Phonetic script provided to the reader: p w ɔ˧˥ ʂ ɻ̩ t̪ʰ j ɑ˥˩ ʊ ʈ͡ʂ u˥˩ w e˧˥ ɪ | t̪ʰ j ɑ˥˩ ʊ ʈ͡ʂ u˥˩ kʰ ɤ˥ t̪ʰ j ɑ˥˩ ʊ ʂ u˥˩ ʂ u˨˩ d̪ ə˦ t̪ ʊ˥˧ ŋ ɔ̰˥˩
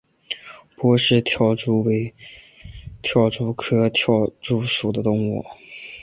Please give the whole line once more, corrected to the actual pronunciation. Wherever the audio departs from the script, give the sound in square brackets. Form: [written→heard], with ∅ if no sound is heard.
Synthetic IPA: p w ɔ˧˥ ʂ ɻ̩ t̪ʰ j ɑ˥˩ ʊ ʈ͡ʂ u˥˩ w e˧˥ ɪ | t̪ʰ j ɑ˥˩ ʊ ʈ͡ʂ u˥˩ kʰ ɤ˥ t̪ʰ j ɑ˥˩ ʊ [ʂ→ʈ͡ʂ] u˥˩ ʂ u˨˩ d̪ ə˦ t̪ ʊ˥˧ ŋ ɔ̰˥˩

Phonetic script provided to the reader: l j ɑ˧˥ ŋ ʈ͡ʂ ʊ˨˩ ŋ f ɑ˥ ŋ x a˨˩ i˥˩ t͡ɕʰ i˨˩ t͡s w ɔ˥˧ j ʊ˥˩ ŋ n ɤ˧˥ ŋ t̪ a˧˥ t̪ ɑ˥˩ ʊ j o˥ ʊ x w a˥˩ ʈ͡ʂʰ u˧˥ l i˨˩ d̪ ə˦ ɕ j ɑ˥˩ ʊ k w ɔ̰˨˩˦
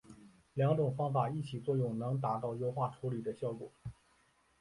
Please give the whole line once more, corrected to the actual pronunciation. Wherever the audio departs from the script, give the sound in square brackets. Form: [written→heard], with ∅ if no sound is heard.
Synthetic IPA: l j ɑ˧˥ ŋ ʈ͡ʂ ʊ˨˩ ŋ f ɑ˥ ŋ [x→f] a˨˩ i˥˩ t͡ɕʰ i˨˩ t͡s w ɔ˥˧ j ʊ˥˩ ŋ n ɤ˧˥ ŋ t̪ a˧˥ t̪ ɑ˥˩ ʊ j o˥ ʊ x w a˥˩ ʈ͡ʂʰ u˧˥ l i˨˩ d̪ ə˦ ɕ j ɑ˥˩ ʊ k w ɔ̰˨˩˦

